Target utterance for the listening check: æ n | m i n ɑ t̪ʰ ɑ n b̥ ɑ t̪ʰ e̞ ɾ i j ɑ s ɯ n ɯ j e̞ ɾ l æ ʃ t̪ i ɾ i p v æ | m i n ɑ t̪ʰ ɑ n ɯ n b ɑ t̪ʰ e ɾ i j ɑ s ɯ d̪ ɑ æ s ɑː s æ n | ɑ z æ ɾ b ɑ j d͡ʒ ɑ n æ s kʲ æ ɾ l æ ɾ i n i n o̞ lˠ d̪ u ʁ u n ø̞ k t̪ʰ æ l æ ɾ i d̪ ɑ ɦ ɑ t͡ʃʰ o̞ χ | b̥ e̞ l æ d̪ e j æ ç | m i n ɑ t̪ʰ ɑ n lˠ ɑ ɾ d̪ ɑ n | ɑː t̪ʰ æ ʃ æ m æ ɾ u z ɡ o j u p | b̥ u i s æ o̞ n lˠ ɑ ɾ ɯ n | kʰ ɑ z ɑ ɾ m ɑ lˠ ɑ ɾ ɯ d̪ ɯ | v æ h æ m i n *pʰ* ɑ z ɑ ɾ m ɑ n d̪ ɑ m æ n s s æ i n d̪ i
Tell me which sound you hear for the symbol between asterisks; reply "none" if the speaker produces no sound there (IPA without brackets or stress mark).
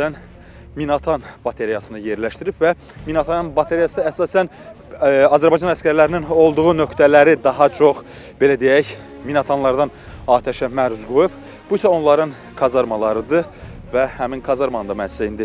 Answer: kʰ